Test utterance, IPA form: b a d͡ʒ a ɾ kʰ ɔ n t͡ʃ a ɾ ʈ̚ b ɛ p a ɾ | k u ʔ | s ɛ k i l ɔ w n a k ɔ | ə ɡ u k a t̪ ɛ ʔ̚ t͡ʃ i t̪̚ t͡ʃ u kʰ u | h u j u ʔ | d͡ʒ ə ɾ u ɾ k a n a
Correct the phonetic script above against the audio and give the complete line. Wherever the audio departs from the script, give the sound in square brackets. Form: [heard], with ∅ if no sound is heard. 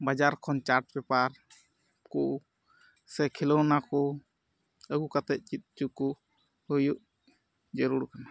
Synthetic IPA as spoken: b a d͡ʒ a ɾ kʰ ɔ n t͡ʃ a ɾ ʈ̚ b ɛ p a ɾ | k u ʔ | s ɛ [kʰ] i l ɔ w n a k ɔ | ə ɡ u k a t̪ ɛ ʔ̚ t͡ʃ i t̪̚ t͡ʃ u [k] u | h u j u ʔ | d͡ʒ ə ɾ u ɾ k a n a

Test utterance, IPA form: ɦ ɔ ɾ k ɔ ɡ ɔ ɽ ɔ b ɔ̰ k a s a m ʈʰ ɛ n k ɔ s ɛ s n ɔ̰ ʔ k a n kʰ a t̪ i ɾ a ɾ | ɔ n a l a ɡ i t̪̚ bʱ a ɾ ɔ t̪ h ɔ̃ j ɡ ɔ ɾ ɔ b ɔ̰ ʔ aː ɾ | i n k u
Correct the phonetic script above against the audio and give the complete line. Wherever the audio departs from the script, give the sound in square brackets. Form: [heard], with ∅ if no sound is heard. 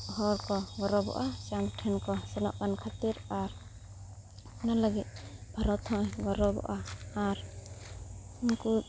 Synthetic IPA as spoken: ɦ ɔ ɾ k ɔ ɡ ɔ [ɾ] ɔ b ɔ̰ [ʔ] a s a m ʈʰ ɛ n k ɔ s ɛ [∅] n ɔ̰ ʔ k a n kʰ a t̪ i ɾ a ɾ | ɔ n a l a ɡ i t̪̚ bʱ a ɾ ɔ t̪ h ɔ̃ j ɡ ɔ ɾ ɔ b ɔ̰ ʔ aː ɾ | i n k u

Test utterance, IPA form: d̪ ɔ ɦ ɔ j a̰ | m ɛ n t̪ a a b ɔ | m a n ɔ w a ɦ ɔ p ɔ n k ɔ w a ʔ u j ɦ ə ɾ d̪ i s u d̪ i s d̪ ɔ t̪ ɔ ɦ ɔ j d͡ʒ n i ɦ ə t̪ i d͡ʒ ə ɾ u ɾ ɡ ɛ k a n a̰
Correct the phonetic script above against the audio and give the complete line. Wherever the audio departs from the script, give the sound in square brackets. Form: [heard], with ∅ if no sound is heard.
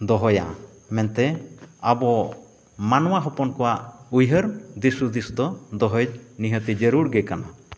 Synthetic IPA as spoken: d̪ ɔ ɦ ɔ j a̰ | m ɛ n t̪ [ɛ] a b ɔ | m a n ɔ w a ɦ ɔ p ɔ n k ɔ w a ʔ u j ɦ ə ɾ d̪ i s u d̪ i s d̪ ɔ [d̪] ɔ ɦ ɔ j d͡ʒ n i ɦ ə t̪ i d͡ʒ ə ɾ u ɾ ɡ ɛ k a n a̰

